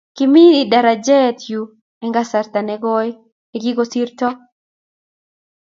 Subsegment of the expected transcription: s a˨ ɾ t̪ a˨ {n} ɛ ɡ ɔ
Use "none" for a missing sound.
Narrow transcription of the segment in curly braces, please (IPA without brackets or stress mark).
n